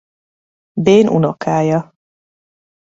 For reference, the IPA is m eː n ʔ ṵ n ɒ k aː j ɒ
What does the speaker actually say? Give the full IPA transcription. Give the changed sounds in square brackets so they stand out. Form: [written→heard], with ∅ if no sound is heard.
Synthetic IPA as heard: [m→b] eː n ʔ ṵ n [ɒ→o] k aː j ɒ